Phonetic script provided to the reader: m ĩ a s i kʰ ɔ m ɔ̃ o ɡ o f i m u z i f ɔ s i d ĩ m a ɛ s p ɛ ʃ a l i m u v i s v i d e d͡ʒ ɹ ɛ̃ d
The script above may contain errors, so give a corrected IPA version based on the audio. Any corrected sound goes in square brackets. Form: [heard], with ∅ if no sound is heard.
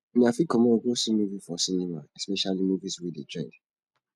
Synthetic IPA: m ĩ a [f] i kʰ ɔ m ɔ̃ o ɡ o [s] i m u [v] i f ɔ s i [n] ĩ m a ɛ s p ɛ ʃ a l i m u v i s [w] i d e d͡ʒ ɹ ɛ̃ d